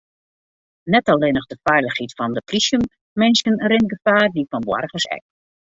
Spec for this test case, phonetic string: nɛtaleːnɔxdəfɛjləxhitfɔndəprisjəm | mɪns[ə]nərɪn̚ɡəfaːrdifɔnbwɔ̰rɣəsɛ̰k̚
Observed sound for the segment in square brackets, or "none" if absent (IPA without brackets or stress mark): ə